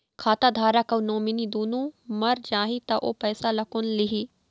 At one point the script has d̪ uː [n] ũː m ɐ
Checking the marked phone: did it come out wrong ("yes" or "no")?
no